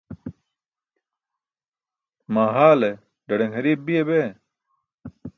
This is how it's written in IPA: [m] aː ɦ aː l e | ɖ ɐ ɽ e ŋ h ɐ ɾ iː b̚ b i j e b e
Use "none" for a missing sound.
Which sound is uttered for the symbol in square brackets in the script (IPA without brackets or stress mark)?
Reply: m